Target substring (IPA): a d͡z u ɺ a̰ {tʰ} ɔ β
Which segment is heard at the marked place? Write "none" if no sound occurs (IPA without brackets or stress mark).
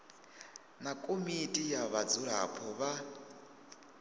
pʰ